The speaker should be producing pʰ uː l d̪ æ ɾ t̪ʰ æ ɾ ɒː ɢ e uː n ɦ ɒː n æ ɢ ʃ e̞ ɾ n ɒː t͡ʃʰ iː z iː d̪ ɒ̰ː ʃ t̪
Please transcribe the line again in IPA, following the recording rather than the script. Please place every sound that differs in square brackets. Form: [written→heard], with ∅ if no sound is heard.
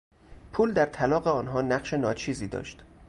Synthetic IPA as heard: pʰ uː l d̪ æ ɾ t̪ʰ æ [ɾ→l] ɒː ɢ e [uː→ɒː] n ɦ ɒː n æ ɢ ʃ e̞ [ɾ→∅] n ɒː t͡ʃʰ iː z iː d̪ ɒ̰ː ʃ t̪